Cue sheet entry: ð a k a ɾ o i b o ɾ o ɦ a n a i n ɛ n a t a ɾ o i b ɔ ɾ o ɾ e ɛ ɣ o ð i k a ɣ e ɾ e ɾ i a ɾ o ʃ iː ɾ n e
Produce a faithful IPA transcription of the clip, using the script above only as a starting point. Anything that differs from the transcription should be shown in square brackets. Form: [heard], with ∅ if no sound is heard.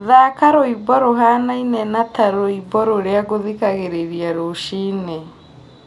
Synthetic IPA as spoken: ð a k a ɾ o i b [ɔ] ɾ o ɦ a n a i n ɛ n a t a ɾ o i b ɔ ɾ o ɾ e [a] ɣ o ð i k a ɣ e ɾ e ɾ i a ɾ o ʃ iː [∅] n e